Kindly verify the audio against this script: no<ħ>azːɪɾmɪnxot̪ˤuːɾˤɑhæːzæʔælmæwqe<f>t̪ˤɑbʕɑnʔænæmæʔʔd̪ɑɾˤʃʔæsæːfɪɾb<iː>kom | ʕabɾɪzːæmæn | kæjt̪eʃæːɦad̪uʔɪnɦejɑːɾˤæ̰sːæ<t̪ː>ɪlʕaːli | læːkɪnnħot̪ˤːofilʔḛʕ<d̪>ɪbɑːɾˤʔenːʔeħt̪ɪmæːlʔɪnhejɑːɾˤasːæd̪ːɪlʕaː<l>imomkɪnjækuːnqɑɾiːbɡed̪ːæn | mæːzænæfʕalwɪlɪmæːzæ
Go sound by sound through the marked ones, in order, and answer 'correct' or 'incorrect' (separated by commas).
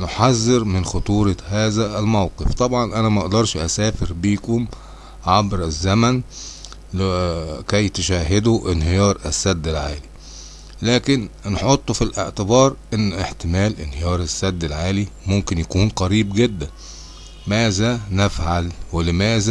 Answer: correct, correct, correct, incorrect, incorrect, correct